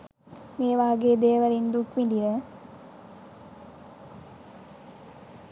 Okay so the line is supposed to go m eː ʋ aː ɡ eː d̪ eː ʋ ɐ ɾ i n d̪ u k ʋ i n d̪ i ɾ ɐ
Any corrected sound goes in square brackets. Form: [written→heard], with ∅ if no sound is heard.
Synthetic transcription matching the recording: m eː ʋ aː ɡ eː d̪ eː ʋ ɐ ɾ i n d̪ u k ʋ i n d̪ i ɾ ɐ